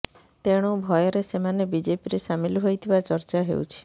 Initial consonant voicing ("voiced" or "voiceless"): voiceless